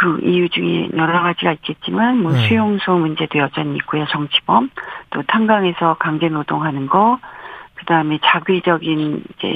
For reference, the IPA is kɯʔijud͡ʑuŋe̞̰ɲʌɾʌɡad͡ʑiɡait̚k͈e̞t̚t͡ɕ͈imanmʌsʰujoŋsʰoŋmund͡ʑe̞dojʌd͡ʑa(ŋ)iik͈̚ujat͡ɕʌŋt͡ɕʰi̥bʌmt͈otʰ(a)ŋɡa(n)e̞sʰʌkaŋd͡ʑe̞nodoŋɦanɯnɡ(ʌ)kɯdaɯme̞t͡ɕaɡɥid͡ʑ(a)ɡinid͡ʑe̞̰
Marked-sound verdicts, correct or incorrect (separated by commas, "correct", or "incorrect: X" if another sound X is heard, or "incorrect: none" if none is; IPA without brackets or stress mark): incorrect: ɲ, correct, incorrect: ŋ, correct, incorrect: ʌ